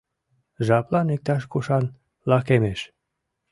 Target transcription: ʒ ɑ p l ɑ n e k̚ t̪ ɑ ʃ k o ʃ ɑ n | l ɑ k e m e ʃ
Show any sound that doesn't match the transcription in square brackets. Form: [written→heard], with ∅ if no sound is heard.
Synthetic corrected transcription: ʒ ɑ p l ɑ n e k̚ t̪ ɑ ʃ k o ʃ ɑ n | l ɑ k e m e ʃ

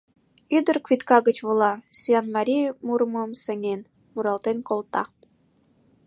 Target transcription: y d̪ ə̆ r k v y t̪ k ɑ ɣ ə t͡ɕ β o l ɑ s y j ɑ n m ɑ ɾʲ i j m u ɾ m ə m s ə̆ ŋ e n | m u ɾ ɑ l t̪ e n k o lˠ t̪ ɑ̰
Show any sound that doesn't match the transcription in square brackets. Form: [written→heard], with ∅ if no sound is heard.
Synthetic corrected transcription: y d̪ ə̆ r k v [y→i] t̪ k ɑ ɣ ə t͡ɕ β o l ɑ s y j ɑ n m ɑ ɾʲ i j m u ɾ m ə m s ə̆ ŋ e n | m u ɾ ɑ l t̪ e n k o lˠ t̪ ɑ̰

